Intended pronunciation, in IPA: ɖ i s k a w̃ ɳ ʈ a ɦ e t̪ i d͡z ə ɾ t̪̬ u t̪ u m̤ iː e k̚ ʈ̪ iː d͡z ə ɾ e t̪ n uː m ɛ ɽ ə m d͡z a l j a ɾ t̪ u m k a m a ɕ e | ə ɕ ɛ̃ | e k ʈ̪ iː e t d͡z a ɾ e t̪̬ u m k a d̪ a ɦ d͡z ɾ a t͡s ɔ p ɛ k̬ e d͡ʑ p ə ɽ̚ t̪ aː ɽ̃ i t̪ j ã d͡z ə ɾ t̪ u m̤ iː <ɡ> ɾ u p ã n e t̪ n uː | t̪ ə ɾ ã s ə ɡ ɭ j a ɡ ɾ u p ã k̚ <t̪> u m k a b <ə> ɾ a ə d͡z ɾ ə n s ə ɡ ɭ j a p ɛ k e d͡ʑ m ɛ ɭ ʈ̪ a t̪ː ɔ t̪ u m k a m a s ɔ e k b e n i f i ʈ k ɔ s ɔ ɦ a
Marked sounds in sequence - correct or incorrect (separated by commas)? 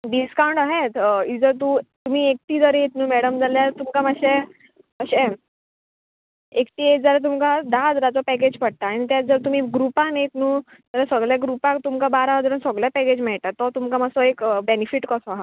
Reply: correct, correct, incorrect